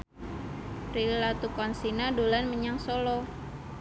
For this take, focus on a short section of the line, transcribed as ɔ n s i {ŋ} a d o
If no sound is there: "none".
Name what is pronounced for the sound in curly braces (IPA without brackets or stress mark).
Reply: n